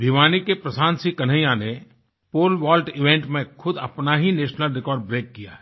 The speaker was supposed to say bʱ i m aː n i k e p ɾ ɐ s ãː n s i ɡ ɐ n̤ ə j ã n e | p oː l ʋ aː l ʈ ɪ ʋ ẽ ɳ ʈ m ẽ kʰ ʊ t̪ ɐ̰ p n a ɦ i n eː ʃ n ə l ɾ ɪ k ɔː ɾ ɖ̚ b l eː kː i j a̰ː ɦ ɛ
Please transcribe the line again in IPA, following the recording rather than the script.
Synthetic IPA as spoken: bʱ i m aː n i k e p ɾ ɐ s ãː n s i k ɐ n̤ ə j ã n e | p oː l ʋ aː l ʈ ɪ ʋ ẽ ɳ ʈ m ẽ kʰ ʊ d̪ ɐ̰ p n a ɦ i n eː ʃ n ə l ɾ ɪ k ɔː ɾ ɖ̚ b ɾ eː kː i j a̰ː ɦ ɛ

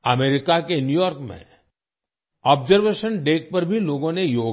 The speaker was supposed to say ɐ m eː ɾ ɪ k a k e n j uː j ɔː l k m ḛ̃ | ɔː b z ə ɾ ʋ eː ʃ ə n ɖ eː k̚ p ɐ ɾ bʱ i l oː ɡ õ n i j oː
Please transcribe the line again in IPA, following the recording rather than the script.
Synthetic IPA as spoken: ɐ m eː ɾ ɪ k a k e n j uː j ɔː ɾ k m ḛ̃ | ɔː b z ə ɾ ʋ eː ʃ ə n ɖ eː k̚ p ɐ ɾ bʱ i l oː ɡ õ n e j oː

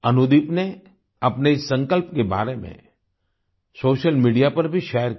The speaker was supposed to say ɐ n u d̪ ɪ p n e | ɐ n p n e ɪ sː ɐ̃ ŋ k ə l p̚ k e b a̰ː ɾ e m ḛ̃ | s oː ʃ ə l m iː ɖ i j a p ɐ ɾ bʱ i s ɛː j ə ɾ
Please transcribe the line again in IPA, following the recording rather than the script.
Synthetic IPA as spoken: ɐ n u d̪ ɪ p n e | ɐ p n e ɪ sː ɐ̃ ŋ k ə l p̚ k e b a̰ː ɾ e m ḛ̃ | s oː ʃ ə l m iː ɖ i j a p ɐ ɾ bʱ i ʃ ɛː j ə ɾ

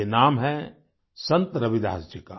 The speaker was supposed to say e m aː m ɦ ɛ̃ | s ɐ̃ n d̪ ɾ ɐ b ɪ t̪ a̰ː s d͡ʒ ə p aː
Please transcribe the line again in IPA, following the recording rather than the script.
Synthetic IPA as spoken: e n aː m ɦ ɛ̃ | s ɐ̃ n t̪ ɾ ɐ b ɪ d̪ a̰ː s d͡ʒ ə k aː

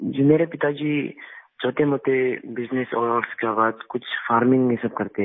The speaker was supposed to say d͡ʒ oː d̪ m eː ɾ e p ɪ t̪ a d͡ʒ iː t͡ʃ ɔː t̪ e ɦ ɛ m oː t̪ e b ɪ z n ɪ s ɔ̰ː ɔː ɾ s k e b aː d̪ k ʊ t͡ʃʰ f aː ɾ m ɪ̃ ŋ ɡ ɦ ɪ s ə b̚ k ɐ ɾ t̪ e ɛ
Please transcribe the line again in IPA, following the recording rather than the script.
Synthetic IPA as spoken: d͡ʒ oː m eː ɾ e p ɪ t̪ a d͡ʒ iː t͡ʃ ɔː t̪ e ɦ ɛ m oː t̪ e b ɪ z n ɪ s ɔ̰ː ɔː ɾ s k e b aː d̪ k ʊ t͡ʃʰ f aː ɾ m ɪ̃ ŋ ɡ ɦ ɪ s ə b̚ k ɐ ɾ t̪ e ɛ

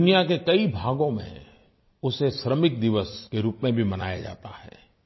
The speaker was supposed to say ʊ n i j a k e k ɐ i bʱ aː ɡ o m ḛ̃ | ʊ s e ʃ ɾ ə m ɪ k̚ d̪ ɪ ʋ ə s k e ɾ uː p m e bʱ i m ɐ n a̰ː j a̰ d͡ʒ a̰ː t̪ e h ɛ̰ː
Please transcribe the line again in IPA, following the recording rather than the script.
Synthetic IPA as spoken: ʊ n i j a k e k ɐ i bʱ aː ɡ õ m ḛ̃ | ʊ s e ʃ ɾ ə m ɪ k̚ d̪ ɪ ʋ ə s k e ɾ uː p m ẽ bʱ i m ɐ n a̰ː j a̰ d͡ʒ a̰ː t̪ a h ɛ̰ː

